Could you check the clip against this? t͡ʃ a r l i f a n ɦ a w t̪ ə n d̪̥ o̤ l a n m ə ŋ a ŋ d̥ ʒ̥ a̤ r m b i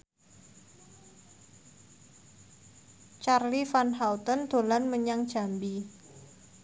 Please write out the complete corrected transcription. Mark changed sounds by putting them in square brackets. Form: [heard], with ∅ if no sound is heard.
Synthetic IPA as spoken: t͡ʃ a r l i f a n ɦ a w t̪ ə n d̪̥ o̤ l a n m ə [ɲ] a ŋ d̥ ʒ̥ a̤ [∅] m b i

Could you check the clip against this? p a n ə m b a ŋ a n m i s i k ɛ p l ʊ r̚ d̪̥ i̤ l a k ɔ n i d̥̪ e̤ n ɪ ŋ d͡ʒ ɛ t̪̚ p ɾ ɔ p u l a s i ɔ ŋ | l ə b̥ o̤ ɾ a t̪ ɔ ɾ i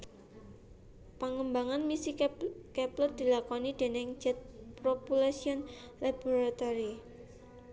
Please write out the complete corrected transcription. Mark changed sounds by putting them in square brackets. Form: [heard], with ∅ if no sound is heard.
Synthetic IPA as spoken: p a [ŋ] ə m b a ŋ a n m i s i k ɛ p l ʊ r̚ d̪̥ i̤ l a k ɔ n i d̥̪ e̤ n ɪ ŋ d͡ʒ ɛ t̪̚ p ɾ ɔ p u l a s i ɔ [n] | l [a] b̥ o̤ ɾ a t̪ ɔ ɾ i

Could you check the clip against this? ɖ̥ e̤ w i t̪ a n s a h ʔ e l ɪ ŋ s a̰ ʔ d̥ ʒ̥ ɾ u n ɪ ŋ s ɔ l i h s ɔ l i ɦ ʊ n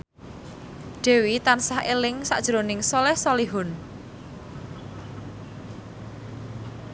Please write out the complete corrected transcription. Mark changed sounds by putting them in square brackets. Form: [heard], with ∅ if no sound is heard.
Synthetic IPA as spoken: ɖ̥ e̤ w i t̪ a n s a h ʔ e l ɪ ŋ s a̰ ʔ d̥ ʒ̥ ɾ [o] n ɪ ŋ s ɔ l [ɛ] h s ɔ l i ɦ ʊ n

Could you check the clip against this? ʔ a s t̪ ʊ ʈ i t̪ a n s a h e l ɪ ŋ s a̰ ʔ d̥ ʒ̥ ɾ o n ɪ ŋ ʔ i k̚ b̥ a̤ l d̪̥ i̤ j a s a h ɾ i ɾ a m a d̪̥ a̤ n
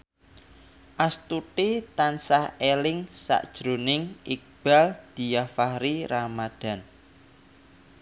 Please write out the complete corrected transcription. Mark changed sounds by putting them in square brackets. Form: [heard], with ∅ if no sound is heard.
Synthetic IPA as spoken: ʔ a s t̪ [u] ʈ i t̪ a n s a h e l ɪ ŋ s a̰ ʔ d̥ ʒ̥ ɾ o n ɪ ŋ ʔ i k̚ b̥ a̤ l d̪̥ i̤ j a [f] a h ɾ i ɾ a m a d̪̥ a̤ n

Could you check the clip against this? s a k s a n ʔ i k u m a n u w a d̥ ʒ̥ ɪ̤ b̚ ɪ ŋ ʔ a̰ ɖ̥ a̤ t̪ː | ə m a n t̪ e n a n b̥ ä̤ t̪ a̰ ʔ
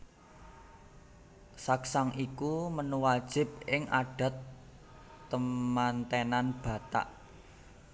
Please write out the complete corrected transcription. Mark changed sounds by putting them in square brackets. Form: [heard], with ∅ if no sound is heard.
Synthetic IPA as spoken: s a k s a [ŋ] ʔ i k u m [ə] n u w a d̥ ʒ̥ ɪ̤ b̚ ɪ ŋ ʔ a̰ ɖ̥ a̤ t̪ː | ə m a n t̪ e n a n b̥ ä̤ t̪ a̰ ʔ

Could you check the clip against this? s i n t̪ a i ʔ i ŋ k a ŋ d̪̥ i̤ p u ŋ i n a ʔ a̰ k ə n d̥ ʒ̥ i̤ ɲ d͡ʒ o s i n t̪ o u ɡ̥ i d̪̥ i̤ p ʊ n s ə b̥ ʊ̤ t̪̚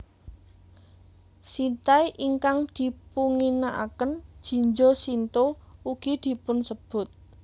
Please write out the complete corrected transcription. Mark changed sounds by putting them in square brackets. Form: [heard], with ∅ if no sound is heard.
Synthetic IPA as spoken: s i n t̪ a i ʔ i ŋ k a ŋ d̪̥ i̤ p u ŋ i n a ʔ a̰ k ə n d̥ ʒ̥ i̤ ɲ d͡ʒ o s i n t̪ o u ɡ̥ i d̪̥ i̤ p ʊ n s ə b̥ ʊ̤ t̪̚

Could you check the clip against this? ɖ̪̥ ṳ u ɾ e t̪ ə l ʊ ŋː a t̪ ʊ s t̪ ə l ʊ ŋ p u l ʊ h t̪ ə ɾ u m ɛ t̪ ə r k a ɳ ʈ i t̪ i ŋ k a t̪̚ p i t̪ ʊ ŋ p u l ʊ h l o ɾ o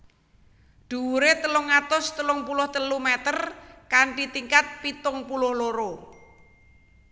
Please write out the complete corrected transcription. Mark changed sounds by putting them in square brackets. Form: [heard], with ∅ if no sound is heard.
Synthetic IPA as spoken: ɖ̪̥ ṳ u ɾ e t̪ ə l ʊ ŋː a t̪ ʊ s t̪ ə l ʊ ŋ p u l ʊ h t̪ ə [l] u m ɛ t̪ ə r k a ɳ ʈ i t̪ i ŋ k a t̪̚ p i t̪ ʊ ŋ p u l ʊ h l o ɾ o

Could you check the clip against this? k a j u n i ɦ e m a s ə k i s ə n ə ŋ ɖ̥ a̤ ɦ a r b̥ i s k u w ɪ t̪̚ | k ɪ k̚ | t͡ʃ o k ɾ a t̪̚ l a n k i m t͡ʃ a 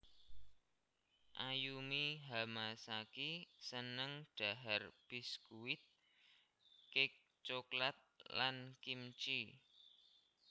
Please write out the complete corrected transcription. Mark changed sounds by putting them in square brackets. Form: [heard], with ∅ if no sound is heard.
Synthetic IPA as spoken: [ʔ] a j u [m] i ɦ [a] m a s [a] k i s ə n ə ŋ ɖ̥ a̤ ɦ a r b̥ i s k u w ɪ t̪̚ | k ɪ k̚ | t͡ʃ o k [l] a t̪̚ l a n k i m t͡ʃ [i]

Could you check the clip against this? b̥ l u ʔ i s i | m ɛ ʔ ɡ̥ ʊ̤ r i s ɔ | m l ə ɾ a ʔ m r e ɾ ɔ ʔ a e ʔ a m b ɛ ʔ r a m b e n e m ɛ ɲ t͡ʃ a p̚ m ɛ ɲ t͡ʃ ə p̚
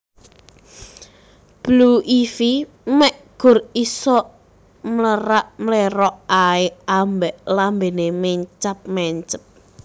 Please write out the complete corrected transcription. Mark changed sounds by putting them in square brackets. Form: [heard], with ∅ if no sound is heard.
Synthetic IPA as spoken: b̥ l u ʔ i [f] i | m ɛ ʔ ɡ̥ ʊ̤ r i s ɔ | m l ə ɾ a ʔ m [l] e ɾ ɔ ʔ a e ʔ a m b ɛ ʔ [l] a m b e n e m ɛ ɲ t͡ʃ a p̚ m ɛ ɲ t͡ʃ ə p̚

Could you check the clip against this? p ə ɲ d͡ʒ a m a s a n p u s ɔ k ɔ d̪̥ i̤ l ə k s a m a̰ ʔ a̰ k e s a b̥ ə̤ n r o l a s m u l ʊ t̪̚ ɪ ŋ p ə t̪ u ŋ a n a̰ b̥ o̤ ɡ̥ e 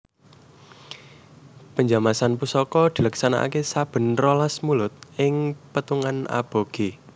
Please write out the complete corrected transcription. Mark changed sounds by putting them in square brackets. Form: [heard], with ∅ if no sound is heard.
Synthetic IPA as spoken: p ə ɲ d͡ʒ a m a s a n p u s ɔ k ɔ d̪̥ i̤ l ə k s a [n] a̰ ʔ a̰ k e s a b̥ ə̤ n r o l a s m u l ʊ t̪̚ ɪ ŋ p ə t̪ u ŋ a n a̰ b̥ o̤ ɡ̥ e

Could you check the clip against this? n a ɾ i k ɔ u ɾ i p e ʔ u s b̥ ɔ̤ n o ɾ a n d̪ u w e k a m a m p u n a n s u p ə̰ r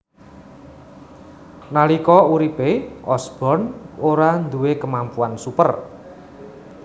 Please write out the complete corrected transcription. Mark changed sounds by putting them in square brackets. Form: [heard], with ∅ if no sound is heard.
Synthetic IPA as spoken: n a [l] i k ɔ u ɾ i p e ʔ [ɔ] s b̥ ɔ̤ n o ɾ a n d̪ u w e k [ə] m a m p u [∅] a n s u p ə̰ r

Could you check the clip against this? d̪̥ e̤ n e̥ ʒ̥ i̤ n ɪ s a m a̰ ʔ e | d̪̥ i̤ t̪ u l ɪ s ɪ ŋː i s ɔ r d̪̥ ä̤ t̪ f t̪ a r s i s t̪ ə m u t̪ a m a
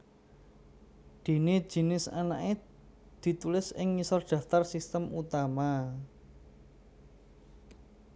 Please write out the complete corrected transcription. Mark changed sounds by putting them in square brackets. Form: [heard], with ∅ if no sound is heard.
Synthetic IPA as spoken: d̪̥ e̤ n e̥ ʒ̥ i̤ n ɪ s a [n] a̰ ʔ e | d̪̥ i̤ t̪ u l ɪ s ɪ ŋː i s ɔ r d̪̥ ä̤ [∅] f t̪ a r s i s t̪ ə m u t̪ a m a

